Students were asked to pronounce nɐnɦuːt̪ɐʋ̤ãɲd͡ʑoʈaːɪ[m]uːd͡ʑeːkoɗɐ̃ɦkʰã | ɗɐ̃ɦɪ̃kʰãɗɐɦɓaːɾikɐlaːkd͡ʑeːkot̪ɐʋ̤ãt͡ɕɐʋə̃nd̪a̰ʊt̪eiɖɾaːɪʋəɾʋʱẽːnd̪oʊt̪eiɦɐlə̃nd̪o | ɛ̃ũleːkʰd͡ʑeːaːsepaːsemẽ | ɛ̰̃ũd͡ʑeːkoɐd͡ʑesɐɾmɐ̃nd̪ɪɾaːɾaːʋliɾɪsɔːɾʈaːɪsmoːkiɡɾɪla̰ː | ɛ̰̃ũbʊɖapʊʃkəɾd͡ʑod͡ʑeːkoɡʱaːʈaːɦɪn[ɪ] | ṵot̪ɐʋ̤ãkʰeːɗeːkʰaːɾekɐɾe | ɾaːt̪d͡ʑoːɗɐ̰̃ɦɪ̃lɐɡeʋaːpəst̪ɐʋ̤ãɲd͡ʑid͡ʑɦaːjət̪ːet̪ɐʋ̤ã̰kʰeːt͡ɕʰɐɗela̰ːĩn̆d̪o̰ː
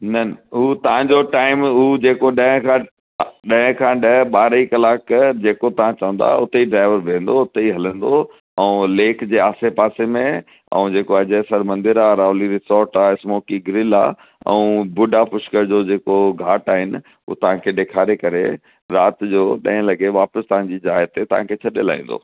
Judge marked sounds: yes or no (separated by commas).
yes, yes